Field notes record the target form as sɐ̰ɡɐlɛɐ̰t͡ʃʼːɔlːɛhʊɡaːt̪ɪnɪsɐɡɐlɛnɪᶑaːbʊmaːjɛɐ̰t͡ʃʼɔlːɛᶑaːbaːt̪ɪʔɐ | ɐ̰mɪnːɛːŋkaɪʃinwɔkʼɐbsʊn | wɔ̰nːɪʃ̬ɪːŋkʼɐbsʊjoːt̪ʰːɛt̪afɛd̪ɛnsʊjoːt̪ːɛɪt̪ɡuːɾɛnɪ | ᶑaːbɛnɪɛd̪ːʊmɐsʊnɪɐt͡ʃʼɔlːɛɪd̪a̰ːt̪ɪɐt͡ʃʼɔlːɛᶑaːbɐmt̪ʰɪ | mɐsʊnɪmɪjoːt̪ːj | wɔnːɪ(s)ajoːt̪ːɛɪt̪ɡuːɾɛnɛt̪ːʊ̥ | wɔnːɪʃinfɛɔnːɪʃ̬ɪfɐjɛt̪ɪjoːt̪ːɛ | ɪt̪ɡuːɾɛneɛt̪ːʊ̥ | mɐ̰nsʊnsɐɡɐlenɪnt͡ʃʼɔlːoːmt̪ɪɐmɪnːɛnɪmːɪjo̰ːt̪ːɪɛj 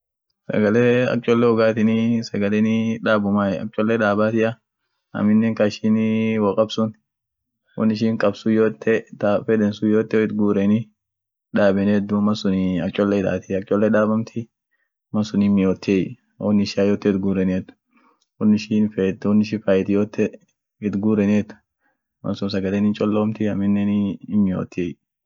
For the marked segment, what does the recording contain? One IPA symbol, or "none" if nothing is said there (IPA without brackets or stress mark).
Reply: ʃ